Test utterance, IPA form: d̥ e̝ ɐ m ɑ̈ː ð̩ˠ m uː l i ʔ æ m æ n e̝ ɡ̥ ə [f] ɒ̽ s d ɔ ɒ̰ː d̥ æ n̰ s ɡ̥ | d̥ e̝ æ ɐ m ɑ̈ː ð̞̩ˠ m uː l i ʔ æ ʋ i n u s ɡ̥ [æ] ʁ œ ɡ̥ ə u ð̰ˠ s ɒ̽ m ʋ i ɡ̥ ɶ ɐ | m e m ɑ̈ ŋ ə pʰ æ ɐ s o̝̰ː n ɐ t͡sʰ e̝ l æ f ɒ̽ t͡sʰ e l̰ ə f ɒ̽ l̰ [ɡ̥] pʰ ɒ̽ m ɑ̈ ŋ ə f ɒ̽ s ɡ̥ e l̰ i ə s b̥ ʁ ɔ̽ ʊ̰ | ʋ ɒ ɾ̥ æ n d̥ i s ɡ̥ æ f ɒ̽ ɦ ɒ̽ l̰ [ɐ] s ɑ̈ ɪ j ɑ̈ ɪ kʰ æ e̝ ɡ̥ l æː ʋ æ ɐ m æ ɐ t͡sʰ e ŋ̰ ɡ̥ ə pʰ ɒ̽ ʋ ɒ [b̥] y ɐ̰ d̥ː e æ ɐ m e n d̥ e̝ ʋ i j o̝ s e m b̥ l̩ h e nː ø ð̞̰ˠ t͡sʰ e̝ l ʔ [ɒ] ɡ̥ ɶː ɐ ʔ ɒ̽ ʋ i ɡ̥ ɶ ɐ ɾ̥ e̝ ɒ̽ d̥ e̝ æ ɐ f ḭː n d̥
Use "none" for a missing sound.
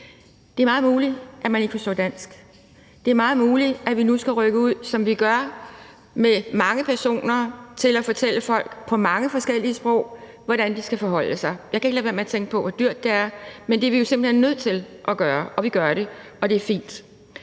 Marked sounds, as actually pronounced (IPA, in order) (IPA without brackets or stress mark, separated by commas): f, æ, ɡ̥, ə, d̥, ɒ